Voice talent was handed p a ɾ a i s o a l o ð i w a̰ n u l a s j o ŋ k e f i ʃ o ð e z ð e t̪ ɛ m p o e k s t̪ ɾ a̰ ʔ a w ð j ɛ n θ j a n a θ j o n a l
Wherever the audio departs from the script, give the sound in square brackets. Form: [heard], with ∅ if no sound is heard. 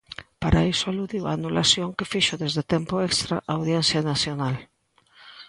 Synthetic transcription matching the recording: p a ɾ a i s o a l [u] ð i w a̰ n u l a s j o ŋ k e f i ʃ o ð e z ð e t̪ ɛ m p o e k s t̪ ɾ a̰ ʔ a w ð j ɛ n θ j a n a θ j o n a l